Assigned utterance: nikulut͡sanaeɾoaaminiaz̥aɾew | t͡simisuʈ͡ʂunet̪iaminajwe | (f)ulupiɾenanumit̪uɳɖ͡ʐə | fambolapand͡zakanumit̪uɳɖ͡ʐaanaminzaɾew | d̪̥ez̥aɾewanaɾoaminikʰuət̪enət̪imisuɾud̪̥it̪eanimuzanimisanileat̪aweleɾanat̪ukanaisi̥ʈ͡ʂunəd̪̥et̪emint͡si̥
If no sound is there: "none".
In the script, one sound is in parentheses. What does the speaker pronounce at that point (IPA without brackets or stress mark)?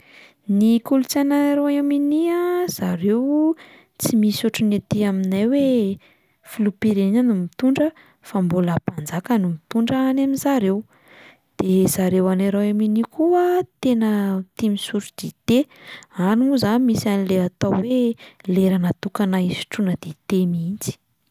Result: f